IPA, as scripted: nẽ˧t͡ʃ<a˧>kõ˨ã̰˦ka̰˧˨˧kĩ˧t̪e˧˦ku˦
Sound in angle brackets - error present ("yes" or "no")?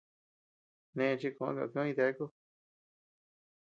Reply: yes